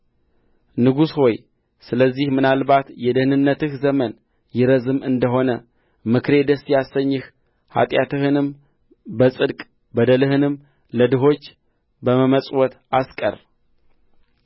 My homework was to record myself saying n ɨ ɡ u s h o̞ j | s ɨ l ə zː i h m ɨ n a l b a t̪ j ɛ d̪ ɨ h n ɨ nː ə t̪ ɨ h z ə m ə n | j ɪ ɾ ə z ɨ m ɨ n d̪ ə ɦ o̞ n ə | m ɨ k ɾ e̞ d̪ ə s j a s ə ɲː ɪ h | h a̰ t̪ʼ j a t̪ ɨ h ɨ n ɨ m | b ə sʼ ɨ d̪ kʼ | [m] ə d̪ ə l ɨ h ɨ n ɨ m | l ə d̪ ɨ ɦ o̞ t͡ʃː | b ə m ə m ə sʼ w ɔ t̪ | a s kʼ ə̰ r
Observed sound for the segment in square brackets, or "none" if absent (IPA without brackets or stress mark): b